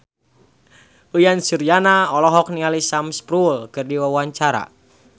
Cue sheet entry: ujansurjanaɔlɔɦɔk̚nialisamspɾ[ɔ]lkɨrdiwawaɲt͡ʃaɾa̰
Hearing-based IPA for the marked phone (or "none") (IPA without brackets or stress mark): u